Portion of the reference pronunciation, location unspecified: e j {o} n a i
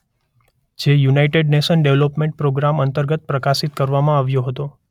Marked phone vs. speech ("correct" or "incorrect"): incorrect